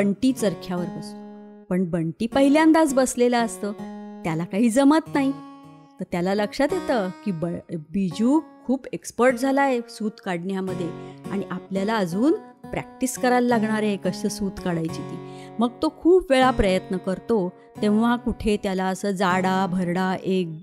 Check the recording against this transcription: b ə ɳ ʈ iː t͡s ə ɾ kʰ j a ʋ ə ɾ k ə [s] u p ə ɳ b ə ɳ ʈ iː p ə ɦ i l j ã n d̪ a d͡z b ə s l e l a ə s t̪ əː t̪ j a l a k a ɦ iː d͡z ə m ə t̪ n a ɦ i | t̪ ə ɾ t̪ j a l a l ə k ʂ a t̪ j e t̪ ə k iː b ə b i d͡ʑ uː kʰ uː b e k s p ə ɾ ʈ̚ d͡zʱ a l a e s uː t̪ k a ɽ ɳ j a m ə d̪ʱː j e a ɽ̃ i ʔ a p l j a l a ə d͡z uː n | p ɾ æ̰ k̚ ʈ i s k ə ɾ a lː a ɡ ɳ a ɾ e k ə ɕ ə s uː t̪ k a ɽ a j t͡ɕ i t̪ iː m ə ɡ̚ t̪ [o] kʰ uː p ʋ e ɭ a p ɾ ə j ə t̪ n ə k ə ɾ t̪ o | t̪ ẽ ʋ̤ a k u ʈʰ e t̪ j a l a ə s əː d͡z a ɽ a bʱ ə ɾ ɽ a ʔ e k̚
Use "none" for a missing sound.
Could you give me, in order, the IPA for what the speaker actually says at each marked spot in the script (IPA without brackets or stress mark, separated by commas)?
s, o